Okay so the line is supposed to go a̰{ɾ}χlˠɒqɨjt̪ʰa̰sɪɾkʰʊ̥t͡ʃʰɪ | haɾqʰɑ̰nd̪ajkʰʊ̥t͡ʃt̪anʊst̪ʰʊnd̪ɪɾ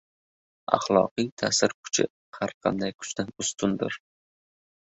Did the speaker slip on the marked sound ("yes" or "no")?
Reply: yes